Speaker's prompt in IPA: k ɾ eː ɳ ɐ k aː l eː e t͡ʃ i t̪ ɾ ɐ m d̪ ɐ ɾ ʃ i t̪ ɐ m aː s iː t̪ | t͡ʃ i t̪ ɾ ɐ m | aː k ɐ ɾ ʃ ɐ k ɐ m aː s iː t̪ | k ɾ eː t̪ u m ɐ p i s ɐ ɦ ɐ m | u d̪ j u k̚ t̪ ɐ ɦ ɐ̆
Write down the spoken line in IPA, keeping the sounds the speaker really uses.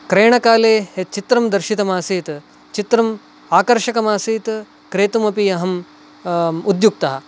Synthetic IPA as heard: k ɾ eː ɳ ɐ k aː l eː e t͡ʃ i t̪ ɾ ɐ m d̪ ɐ ɾ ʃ i t̪ ɐ m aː s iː t̪ | t͡ʃ i t̪ ɾ ɐ m | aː k ɐ ɾ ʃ ɐ k ɐ m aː s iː t̪ | k ɾ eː t̪ u m ɐ p i ɐ ɦ ɐ m | u d̪ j u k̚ t̪ ɐ ɦ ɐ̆